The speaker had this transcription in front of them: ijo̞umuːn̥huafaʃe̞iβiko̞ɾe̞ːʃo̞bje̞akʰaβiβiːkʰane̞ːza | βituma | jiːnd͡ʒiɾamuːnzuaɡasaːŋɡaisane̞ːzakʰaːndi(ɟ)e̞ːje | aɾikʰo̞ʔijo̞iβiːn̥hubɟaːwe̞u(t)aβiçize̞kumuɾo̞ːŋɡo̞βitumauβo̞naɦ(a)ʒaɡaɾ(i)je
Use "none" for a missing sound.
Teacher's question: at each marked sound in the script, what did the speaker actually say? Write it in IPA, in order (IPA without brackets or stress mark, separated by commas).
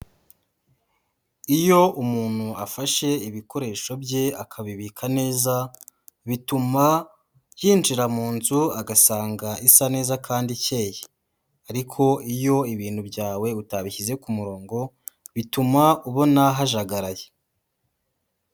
c, t, a, a